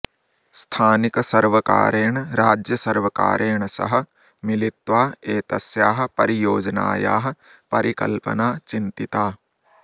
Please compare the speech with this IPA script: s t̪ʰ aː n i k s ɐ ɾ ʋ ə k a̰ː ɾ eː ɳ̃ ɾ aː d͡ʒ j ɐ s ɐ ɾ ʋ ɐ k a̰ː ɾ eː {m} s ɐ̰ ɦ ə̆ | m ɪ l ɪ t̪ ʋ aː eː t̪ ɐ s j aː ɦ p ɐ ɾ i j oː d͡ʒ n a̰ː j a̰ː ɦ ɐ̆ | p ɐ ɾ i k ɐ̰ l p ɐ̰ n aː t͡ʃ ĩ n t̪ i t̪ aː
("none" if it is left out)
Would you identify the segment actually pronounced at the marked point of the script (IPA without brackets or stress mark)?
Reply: ɳ